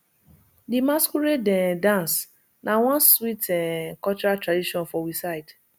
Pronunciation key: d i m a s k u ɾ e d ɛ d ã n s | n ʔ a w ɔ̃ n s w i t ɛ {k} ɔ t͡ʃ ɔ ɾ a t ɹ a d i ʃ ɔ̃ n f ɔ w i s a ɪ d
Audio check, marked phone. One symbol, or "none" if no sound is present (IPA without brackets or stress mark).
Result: k